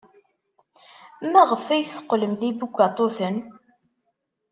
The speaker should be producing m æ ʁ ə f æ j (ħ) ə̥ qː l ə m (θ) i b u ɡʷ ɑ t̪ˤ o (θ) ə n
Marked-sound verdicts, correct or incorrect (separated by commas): incorrect, incorrect, correct